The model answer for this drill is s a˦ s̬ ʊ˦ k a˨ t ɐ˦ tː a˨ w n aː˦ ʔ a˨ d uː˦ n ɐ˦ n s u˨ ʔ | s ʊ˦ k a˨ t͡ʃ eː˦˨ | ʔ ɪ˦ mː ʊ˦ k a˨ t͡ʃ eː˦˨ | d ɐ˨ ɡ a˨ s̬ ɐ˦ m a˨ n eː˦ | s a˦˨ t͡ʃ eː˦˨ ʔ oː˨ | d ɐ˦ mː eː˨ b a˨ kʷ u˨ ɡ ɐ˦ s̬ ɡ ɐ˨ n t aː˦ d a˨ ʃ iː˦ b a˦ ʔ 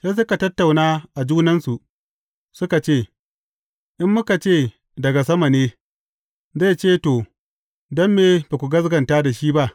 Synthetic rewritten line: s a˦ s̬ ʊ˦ k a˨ t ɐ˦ tː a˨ w n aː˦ ʔ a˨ d͡ʒ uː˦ n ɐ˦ n s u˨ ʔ | s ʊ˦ k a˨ t͡ʃ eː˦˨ | ʔ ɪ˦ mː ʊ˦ k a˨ t͡ʃ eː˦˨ | d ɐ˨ ɡ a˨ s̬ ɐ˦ m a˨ n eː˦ | z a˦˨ t͡ʃ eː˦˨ t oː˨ | d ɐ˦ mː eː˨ b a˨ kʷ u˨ ɡ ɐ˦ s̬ ɡ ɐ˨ n t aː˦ d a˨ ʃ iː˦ b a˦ ʔ